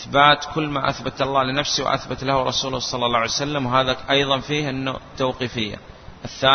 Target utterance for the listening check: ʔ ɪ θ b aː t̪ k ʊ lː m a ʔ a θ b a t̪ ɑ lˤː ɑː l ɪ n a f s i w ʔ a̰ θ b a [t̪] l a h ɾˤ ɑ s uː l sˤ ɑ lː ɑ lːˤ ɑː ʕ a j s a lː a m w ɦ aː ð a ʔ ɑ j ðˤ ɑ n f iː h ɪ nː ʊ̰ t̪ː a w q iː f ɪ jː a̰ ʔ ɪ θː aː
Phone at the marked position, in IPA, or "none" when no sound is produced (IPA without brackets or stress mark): t̪